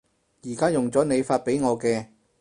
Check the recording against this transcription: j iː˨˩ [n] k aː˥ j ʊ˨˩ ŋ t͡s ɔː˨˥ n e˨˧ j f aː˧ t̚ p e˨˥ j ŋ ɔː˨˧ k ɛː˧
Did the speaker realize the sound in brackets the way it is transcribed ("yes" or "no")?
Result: no